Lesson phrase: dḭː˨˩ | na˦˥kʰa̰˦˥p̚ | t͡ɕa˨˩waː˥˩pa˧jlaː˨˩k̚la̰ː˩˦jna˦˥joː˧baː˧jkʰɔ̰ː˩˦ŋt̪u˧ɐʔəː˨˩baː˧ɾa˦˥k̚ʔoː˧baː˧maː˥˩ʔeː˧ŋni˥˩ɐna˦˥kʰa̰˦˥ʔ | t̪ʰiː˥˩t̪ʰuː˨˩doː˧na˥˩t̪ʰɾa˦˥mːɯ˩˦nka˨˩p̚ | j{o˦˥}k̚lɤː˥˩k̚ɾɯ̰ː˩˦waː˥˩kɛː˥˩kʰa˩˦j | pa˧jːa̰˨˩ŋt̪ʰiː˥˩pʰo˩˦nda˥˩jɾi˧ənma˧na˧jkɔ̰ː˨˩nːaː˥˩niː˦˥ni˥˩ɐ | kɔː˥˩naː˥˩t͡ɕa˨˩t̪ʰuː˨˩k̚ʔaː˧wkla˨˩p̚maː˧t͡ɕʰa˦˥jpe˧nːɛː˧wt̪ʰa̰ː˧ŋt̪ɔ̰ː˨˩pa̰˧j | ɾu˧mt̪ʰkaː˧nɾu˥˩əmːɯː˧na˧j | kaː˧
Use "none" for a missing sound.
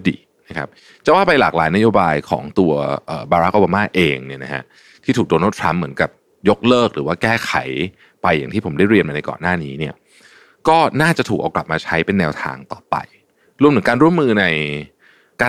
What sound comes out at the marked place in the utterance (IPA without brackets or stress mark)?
o˦˥